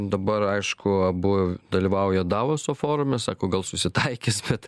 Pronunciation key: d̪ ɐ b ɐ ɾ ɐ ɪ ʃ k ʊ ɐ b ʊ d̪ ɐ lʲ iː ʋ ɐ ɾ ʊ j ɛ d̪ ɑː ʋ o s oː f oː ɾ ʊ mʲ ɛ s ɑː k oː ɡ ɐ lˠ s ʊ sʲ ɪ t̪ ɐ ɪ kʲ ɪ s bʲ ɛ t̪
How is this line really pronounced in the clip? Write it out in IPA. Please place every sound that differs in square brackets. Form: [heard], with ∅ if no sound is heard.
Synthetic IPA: d̪ ɐ b ɐ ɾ ɐ ɪ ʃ k ʊ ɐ b ʊ d̪ ɐ lʲ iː ʋ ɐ [∅] ʊ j ɛ d̪ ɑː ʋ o s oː f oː ɾ ʊ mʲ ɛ s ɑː k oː ɡ ɐ lˠ s ʊ sʲ ɪ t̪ ɐ ɪ kʲ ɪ s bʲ ɛ t̪